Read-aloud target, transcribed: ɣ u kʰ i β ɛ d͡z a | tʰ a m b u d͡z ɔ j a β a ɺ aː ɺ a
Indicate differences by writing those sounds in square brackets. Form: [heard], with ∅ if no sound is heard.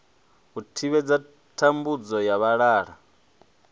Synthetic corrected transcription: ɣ u [tʰ] i β ɛ d͡z a | tʰ a m b u d͡z ɔ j a β a ɺ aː ɺ a